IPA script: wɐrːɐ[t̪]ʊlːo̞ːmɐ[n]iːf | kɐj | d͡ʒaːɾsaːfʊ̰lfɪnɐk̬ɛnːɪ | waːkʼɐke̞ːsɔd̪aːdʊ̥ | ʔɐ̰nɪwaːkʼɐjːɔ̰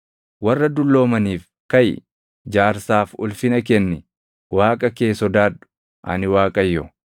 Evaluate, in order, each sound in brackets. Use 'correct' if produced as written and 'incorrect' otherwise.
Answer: incorrect, correct

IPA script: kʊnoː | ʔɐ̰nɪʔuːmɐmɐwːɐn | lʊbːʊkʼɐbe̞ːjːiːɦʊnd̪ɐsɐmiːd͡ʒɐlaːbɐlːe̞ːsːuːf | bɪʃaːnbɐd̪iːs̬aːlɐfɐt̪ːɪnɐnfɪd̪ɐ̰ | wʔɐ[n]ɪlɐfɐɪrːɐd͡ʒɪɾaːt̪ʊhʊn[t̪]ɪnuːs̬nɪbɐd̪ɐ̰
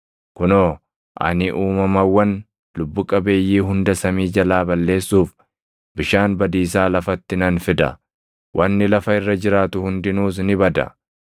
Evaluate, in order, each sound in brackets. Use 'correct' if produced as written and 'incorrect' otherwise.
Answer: incorrect, incorrect

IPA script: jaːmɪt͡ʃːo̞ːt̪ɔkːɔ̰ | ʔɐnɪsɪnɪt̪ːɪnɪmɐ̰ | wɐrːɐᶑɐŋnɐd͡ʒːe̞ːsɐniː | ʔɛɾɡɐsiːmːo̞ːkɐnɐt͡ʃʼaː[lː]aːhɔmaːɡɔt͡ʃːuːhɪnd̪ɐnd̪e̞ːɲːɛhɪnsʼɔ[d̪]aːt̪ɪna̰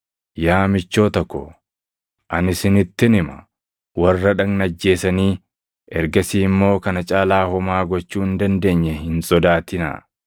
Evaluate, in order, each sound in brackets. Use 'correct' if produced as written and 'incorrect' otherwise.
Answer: incorrect, correct

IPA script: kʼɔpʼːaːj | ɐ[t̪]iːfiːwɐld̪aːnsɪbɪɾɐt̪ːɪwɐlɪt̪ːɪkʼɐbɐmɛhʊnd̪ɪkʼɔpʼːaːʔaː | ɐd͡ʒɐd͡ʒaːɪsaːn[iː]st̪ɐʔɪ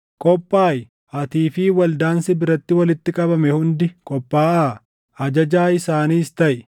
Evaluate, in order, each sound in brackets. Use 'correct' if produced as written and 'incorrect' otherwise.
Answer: correct, correct

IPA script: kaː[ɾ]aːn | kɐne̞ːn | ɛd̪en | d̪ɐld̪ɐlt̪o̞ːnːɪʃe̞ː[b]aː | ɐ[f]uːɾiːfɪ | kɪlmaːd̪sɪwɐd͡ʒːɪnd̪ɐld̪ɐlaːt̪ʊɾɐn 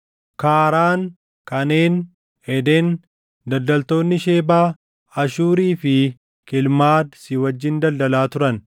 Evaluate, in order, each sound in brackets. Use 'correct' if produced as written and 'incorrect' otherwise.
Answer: correct, correct, incorrect

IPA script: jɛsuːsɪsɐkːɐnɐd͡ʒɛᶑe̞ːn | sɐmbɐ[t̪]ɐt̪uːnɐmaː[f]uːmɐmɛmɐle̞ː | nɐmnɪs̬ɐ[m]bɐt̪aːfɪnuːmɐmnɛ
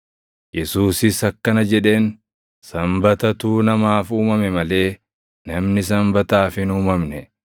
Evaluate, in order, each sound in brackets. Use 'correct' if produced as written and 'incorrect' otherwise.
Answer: correct, correct, correct

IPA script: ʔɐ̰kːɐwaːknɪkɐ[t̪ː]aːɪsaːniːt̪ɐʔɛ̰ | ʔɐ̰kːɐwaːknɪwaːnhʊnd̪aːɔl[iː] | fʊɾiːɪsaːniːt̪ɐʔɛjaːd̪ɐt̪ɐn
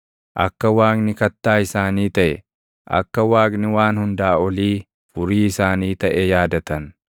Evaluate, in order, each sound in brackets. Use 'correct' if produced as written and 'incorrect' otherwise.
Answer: correct, correct

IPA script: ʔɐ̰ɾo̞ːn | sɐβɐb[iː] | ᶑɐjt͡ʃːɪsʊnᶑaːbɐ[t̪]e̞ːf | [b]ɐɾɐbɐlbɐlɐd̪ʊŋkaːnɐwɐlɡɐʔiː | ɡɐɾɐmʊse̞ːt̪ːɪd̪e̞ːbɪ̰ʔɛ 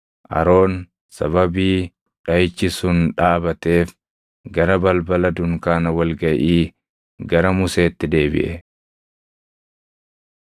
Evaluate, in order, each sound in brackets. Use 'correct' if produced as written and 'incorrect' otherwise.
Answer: correct, correct, incorrect

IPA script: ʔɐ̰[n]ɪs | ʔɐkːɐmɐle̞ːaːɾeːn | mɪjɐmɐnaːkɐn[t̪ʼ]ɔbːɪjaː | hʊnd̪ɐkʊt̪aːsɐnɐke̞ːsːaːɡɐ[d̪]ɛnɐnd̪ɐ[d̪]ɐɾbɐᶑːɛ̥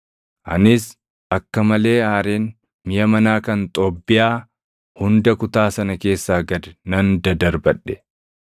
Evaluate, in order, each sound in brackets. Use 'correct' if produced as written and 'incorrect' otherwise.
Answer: correct, correct, correct, correct

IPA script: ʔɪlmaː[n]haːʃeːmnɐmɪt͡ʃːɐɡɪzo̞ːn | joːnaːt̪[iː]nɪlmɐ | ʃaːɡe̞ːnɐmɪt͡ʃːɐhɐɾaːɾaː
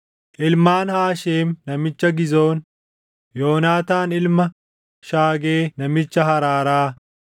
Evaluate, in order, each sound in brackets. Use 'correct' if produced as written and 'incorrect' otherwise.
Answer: correct, incorrect

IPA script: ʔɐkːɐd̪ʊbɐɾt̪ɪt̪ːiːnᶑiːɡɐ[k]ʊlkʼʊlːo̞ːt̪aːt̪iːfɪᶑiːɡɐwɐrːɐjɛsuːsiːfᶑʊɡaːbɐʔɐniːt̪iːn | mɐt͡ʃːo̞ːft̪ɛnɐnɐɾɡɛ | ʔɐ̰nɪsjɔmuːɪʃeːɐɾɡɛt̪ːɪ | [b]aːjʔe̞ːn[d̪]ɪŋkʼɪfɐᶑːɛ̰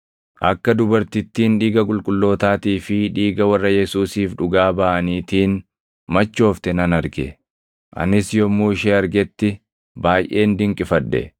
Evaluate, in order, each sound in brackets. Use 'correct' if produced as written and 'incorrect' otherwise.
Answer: incorrect, correct, correct

